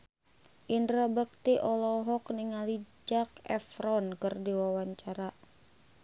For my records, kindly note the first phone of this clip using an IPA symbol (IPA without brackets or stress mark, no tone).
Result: ʔ